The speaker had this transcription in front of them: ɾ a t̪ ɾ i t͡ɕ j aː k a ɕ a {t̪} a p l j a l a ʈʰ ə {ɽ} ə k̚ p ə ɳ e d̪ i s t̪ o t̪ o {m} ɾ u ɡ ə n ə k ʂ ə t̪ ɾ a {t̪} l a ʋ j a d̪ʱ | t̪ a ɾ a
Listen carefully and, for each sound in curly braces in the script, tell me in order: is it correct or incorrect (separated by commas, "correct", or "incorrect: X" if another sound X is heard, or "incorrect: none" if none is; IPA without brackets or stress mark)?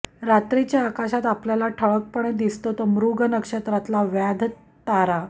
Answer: correct, incorrect: ɭ, correct, correct